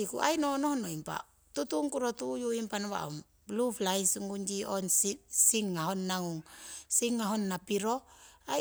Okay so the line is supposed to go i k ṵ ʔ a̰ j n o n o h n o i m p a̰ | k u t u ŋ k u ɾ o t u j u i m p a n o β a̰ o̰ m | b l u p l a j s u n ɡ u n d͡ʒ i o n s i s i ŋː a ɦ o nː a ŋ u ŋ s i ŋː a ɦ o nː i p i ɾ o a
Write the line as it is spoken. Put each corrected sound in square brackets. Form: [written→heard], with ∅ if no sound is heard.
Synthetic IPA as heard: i k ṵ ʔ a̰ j n o n o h n o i m p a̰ | [k→t] u t u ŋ k u ɾ o t u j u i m p a n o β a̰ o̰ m | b l u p l a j s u [n→ŋ] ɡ u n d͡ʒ i o n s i s i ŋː a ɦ o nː a ŋ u ŋ s i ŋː a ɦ o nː [i→a] p i ɾ o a